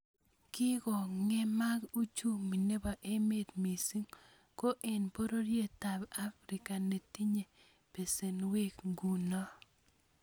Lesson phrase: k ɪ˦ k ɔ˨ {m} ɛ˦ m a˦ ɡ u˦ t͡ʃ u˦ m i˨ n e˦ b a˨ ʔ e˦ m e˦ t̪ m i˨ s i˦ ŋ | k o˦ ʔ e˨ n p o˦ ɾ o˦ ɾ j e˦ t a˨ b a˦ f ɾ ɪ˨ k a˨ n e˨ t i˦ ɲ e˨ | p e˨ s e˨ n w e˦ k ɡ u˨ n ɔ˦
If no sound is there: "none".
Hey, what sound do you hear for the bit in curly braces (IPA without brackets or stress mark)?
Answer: ŋ